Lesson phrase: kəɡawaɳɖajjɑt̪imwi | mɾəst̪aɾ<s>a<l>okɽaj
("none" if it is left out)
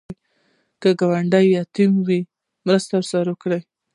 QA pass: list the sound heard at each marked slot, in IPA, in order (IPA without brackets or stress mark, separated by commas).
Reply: s, ɾ